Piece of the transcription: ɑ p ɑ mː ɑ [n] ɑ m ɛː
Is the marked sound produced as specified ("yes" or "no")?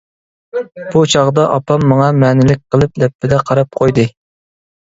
no